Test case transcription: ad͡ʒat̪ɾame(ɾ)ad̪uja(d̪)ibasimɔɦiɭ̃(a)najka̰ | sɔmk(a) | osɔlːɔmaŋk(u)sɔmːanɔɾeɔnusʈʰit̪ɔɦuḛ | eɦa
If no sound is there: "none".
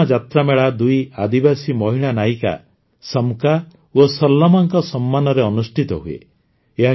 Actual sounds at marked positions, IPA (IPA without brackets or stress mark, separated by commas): ɭ, d̪, a, a, ɔ